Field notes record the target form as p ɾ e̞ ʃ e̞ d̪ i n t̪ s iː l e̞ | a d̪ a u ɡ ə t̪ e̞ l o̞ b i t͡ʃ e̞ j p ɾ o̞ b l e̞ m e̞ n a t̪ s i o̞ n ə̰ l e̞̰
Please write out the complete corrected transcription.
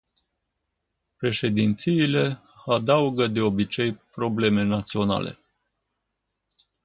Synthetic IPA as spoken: p ɾ e̞ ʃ e̞ d̪ i n t̪ s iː l e̞ | a d̪ a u ɡ ə d̪ e̞ o̞ b i t͡ʃ e̞ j p ɾ o̞ b l e̞ m e̞ n a t̪ s i o̞ n a̰ l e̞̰